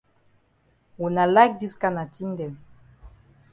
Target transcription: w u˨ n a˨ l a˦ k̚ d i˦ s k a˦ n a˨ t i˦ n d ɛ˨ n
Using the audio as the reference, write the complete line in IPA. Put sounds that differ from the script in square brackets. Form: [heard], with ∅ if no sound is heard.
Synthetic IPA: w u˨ n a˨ l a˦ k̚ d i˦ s k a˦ n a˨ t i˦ n d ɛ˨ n